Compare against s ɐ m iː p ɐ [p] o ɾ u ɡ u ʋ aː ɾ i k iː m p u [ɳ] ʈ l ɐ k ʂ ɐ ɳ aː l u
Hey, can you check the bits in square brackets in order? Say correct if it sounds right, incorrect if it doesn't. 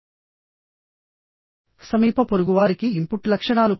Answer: correct, incorrect

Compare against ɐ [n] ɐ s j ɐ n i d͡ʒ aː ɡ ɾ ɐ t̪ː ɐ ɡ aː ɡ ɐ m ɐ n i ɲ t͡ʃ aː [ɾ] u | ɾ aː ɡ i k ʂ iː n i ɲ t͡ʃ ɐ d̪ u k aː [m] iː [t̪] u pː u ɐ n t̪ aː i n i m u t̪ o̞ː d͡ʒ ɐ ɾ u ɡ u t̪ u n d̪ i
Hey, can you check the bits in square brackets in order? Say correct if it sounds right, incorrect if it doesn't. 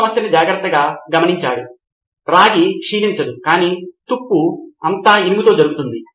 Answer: incorrect, incorrect, incorrect, correct

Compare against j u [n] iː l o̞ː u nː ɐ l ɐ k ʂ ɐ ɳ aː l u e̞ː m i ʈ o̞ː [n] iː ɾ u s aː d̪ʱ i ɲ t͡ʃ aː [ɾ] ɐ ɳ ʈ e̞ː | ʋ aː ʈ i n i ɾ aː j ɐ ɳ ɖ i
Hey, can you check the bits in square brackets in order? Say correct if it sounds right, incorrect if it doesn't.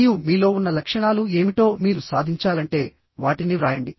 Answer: incorrect, incorrect, incorrect

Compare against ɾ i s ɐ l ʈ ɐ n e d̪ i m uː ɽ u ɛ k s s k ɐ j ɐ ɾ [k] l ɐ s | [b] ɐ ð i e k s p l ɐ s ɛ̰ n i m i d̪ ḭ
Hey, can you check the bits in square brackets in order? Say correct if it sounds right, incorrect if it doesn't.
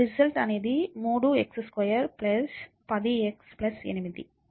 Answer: incorrect, incorrect

